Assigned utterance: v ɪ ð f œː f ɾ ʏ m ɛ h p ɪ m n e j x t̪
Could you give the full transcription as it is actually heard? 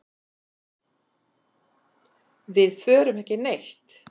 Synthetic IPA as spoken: v ɪ ð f œː ɾ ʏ m ɛ h c ɪ n e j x t̪